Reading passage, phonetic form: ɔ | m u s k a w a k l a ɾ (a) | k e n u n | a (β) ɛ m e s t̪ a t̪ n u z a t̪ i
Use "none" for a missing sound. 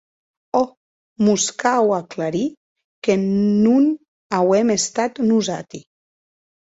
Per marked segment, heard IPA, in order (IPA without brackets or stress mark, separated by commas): i, w